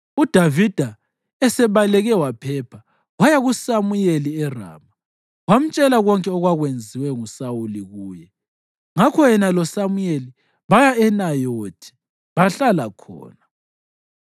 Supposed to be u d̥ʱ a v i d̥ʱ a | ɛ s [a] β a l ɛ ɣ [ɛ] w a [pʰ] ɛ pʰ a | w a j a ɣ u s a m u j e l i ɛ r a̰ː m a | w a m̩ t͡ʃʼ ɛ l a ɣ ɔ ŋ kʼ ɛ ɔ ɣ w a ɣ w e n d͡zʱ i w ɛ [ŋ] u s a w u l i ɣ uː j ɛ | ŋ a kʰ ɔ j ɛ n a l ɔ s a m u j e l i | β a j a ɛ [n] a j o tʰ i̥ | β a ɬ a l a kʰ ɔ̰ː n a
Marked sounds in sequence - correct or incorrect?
incorrect: ɛ, correct, correct, correct, correct

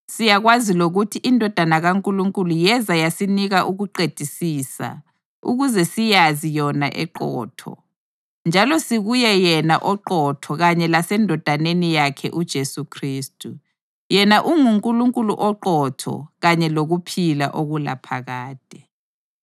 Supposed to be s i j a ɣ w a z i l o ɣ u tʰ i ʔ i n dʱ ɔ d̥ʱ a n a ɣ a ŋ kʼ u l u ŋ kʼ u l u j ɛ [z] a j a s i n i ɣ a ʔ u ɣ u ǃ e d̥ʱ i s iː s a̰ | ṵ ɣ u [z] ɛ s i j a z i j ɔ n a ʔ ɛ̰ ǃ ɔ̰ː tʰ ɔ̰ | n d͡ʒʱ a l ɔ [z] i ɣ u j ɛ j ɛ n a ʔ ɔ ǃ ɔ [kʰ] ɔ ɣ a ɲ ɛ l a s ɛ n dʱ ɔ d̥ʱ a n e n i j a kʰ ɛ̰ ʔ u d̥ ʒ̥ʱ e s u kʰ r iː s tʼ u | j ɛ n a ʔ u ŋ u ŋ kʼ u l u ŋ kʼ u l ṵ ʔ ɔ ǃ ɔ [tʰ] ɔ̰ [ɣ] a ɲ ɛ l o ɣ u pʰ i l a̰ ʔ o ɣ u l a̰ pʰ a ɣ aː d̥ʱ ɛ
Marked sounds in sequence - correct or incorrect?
correct, correct, incorrect: s, incorrect: tʰ, correct, correct

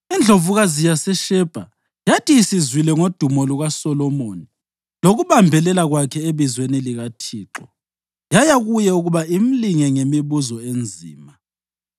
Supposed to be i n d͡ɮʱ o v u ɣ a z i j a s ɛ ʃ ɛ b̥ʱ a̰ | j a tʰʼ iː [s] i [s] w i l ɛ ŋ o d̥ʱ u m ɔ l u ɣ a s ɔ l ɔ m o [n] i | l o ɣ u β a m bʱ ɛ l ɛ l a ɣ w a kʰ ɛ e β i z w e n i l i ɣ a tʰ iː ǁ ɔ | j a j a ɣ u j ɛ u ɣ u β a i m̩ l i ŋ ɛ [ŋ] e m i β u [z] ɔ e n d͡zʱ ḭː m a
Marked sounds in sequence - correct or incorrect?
correct, incorrect: z, correct, correct, correct

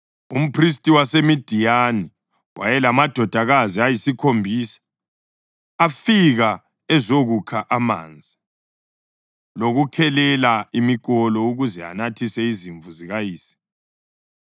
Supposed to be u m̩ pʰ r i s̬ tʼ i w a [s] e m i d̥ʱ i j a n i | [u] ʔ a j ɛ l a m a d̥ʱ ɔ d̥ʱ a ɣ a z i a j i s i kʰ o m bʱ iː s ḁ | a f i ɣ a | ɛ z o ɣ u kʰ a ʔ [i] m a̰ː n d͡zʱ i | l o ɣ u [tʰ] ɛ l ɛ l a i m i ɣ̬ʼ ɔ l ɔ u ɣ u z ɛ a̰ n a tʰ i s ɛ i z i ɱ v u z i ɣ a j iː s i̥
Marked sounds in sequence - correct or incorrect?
correct, incorrect: w, incorrect: a, incorrect: kʰ

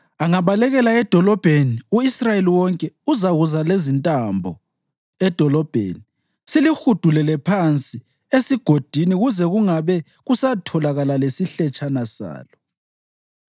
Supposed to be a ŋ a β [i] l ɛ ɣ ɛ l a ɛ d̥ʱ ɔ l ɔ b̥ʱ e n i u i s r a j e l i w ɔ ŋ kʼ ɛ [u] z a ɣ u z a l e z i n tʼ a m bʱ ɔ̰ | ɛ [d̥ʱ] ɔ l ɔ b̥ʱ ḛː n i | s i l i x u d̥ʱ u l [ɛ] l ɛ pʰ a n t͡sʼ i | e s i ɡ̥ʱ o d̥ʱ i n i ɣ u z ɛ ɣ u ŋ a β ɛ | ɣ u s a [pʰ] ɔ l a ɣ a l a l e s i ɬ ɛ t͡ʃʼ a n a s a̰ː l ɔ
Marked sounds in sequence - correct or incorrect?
incorrect: a, correct, correct, correct, incorrect: tʰ

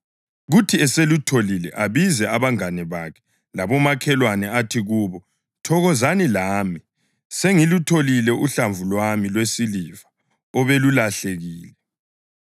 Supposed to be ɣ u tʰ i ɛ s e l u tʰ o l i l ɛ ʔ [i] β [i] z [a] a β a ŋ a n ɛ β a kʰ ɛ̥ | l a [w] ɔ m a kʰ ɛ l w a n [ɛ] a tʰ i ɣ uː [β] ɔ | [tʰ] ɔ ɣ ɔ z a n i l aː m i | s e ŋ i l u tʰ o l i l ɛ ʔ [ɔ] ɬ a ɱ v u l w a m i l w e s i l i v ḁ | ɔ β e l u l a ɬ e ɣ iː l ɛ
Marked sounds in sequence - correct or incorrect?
incorrect: a, correct, incorrect: ɛ, incorrect: β, correct, correct, correct, incorrect: u

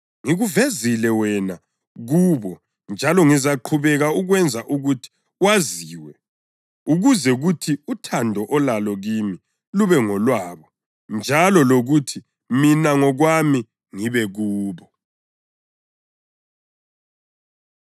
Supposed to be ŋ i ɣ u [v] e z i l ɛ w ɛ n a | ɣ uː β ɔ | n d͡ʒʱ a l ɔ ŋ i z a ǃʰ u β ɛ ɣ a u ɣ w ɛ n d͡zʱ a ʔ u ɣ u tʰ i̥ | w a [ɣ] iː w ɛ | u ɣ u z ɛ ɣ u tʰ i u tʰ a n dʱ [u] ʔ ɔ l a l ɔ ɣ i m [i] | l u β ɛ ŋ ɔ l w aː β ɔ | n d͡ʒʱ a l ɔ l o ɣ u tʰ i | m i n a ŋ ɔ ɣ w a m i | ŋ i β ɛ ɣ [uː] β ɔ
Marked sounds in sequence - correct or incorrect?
correct, incorrect: z, incorrect: ɔ, correct, correct

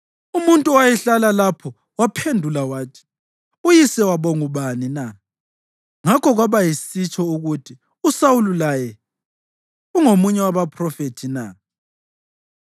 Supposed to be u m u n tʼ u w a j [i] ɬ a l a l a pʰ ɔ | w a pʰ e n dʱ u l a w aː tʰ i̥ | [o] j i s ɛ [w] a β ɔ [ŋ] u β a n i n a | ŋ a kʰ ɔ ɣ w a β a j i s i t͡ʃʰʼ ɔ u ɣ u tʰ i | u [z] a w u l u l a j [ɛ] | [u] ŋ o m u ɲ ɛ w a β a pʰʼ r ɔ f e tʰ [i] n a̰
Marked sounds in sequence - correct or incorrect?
incorrect: ɛ, incorrect: u, correct, correct, incorrect: s, correct, correct, correct

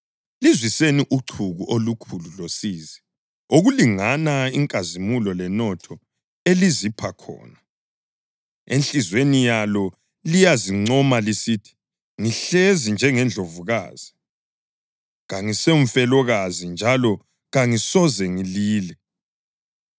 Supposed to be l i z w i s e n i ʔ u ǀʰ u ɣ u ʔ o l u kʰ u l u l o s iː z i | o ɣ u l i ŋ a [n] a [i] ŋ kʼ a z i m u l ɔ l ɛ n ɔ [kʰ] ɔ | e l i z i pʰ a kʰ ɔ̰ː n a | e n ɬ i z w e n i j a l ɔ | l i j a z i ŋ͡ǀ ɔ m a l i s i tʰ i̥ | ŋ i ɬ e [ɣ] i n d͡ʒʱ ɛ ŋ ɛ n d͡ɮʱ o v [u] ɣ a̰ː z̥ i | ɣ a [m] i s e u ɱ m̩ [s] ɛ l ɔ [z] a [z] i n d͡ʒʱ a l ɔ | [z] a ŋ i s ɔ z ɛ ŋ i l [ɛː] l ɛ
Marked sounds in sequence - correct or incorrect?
correct, correct, incorrect: tʰ, incorrect: z, correct, incorrect: ŋ, incorrect: f, incorrect: ɣ, correct, incorrect: ɣ, incorrect: iː

